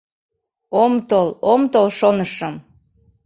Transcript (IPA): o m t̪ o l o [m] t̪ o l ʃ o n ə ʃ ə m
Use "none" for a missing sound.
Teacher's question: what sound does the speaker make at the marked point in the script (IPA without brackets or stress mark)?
m